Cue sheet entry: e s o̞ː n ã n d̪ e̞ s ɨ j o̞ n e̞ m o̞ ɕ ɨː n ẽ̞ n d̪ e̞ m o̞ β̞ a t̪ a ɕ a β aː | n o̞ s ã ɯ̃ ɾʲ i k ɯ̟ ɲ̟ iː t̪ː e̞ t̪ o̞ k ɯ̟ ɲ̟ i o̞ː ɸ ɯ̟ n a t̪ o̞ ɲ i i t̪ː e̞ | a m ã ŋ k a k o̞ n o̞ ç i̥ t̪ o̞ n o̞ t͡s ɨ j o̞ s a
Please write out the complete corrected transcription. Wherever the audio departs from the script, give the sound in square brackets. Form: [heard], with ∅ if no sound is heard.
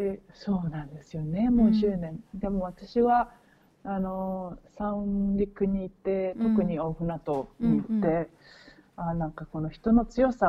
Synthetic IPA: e s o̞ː n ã n d̪ e̞ s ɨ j o̞ n e̞ m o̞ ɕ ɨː n ẽ̞ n d̪ e̞ m o̞ β̞ a t̪ a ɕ [i] β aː | n o̞ s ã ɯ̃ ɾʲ i k ɯ̟ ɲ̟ iː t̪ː e̞ t̪ o̞ k ɯ̟ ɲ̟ i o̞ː ɸ ɯ̟ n a t̪ o̞ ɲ i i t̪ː e̞ | a [n] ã ŋ k a k o̞ n o̞ ç i̥ t̪ o̞ n o̞ t͡s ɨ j o̞ s a